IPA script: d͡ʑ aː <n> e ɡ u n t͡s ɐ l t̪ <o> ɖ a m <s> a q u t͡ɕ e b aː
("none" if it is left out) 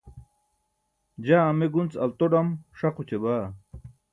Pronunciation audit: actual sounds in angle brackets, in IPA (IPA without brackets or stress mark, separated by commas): m, o, ʂ